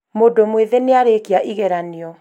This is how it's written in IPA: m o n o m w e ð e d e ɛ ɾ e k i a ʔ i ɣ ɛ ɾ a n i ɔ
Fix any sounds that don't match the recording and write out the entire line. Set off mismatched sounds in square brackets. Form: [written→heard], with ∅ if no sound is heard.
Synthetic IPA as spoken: m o [n→d] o m w e ð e [d→n] e [ɛ→a] ɾ e k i a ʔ i ɣ ɛ ɾ a n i ɔ